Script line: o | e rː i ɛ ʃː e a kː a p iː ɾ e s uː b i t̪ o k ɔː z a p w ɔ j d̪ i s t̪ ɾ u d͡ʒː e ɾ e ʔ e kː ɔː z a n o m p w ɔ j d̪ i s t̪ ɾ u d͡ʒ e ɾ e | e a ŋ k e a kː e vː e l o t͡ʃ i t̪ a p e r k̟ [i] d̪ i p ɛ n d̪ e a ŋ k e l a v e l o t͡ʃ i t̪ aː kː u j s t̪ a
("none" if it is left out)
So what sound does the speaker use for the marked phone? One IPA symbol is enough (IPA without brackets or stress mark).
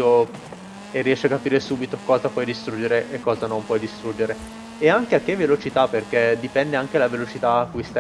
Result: e